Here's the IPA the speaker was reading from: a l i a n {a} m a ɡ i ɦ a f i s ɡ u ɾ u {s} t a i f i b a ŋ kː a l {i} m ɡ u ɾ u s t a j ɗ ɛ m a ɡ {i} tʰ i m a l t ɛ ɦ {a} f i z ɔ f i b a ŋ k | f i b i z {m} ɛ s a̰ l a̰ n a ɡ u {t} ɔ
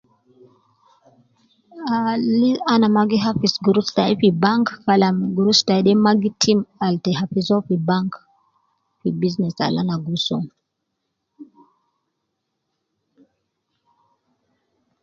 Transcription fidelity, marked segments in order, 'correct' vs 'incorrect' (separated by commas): correct, correct, incorrect, correct, correct, incorrect, incorrect